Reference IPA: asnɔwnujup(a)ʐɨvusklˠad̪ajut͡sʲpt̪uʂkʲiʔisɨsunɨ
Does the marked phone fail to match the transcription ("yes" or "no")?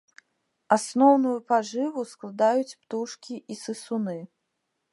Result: no